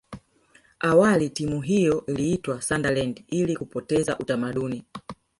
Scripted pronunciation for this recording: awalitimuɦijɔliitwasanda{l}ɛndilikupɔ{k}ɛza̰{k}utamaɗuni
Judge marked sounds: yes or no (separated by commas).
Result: yes, no, no